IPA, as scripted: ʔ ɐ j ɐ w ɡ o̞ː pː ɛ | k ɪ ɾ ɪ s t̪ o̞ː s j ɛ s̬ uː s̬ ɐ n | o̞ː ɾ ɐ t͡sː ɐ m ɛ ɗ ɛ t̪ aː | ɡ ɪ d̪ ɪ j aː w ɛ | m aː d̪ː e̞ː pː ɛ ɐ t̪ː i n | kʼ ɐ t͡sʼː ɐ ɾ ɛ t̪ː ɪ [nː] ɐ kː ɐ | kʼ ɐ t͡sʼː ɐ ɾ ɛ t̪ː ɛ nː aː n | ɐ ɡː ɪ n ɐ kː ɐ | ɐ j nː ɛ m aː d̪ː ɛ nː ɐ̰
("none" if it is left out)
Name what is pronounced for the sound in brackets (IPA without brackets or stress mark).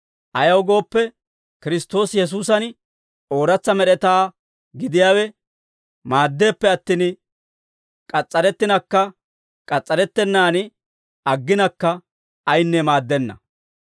n